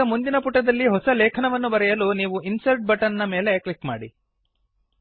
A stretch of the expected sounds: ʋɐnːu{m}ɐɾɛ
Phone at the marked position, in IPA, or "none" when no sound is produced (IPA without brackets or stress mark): b